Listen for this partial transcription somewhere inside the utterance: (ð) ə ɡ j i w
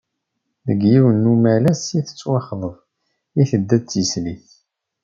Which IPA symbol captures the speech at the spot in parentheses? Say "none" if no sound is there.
ð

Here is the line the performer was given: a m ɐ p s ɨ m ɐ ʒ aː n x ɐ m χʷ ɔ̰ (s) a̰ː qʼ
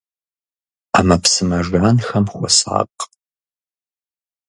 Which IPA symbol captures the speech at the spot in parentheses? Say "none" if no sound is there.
s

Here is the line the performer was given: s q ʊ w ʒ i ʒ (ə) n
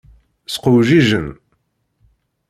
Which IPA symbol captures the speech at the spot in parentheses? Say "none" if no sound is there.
ə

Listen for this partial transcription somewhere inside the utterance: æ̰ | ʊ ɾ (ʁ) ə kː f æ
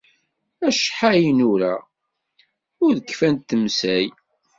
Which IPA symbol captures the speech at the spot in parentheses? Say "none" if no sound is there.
ð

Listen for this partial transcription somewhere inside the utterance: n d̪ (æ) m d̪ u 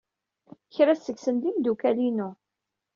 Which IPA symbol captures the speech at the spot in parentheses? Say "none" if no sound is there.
i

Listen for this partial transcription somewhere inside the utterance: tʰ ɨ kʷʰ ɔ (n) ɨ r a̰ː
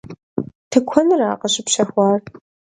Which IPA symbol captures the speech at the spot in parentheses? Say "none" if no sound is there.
n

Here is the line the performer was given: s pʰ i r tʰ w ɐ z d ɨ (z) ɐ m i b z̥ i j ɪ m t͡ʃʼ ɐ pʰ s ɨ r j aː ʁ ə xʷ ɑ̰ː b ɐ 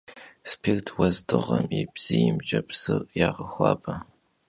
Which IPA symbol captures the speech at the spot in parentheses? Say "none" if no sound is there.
ʁ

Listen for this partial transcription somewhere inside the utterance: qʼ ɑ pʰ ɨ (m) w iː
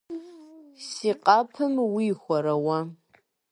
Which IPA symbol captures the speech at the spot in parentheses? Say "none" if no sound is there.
m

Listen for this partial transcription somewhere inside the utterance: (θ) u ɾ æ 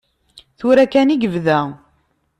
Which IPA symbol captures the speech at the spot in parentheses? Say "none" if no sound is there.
θ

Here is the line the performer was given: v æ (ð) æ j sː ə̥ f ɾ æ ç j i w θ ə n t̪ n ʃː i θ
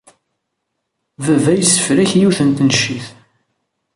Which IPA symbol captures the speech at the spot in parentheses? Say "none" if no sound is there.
v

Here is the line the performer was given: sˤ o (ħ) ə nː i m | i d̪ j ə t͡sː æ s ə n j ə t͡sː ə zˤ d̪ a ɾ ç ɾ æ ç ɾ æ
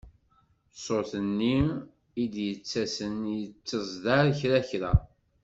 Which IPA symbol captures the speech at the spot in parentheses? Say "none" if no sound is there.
θ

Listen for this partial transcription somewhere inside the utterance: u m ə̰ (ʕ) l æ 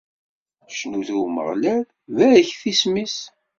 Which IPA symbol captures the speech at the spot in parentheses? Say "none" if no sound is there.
ʁ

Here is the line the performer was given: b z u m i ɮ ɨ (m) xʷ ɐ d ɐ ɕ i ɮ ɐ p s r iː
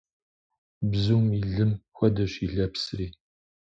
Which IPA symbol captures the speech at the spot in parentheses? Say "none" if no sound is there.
m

